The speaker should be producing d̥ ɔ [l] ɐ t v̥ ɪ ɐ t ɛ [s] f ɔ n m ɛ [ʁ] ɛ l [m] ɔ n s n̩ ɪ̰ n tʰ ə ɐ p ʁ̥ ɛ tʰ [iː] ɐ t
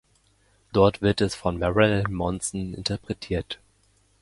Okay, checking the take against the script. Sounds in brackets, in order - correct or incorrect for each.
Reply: incorrect: none, correct, correct, correct, correct

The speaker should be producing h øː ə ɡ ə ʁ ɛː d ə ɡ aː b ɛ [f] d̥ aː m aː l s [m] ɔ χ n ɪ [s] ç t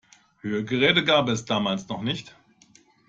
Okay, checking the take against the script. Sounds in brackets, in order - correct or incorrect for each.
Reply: incorrect: s, incorrect: n, incorrect: none

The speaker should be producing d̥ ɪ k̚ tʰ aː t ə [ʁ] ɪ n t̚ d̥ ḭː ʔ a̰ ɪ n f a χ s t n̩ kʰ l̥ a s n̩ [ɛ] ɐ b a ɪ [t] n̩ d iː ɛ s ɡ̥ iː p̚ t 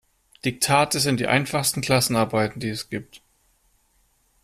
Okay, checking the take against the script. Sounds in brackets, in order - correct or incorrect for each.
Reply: incorrect: z, incorrect: a, correct

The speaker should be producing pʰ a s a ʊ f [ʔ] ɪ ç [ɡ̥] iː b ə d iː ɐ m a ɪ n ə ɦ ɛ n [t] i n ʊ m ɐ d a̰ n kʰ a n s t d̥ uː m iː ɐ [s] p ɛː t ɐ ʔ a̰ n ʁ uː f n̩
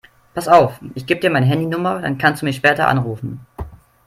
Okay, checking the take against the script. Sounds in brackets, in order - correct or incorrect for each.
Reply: correct, correct, incorrect: d, incorrect: ʃ

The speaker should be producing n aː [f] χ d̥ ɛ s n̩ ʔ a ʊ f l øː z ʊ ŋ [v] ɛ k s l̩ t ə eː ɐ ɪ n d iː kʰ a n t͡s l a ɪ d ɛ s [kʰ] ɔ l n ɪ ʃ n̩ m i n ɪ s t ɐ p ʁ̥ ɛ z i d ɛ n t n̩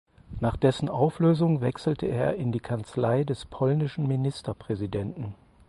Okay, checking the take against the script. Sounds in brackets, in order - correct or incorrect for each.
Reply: incorrect: none, correct, incorrect: pʰ

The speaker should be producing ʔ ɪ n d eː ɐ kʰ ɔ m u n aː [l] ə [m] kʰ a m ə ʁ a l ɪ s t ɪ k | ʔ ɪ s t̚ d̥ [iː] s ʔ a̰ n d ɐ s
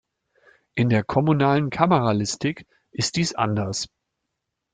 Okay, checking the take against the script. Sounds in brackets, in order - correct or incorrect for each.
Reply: correct, incorrect: n, correct

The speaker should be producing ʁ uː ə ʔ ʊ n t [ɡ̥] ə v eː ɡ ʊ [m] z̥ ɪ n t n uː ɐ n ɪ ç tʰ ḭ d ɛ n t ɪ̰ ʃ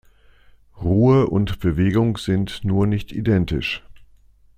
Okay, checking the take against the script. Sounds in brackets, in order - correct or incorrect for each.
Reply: incorrect: b̥, incorrect: ŋ

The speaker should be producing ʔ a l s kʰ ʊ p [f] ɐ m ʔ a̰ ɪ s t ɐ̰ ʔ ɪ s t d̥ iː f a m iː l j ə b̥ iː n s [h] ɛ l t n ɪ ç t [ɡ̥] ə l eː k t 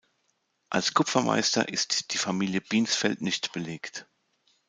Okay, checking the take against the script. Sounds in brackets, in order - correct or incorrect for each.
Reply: correct, incorrect: f, incorrect: b̥

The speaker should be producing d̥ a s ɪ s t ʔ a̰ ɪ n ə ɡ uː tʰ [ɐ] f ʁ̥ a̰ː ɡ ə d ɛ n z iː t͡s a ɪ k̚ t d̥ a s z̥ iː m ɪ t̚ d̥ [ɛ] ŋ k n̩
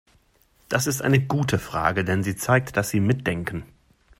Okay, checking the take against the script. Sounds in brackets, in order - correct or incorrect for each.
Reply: incorrect: ə, correct

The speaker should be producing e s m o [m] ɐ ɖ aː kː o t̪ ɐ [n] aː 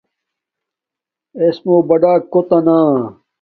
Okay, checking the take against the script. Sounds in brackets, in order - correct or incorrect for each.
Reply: incorrect: b, correct

